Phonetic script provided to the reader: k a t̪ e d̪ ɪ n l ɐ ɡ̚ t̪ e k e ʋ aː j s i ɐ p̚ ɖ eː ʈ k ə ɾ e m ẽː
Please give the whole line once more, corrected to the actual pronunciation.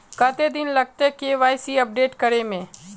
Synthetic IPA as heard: k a t̪ e d̪ ɪ n l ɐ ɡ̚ t̪ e k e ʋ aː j s i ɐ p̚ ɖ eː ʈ k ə ɾ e m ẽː